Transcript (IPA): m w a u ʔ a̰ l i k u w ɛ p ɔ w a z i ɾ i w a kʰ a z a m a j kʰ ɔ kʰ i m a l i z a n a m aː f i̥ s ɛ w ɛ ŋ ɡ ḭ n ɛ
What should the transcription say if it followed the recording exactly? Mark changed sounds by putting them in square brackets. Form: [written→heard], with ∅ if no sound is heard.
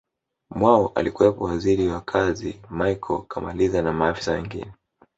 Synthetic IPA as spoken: m w a [u→ɔ] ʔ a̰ l i k u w ɛ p ɔ w a z i ɾ i w a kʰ a z [a→i] m a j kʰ ɔ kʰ [i→a] m a l i z a n a m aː f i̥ s [ɛ→a] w ɛ ŋ ɡ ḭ n ɛ